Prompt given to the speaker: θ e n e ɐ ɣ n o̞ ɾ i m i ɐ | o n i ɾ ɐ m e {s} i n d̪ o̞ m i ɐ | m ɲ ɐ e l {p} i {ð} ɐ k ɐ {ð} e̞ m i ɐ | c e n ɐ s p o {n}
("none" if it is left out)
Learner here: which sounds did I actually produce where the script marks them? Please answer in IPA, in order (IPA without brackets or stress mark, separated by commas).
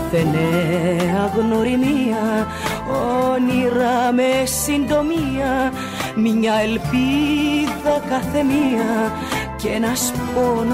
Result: s, p, ð, θ, n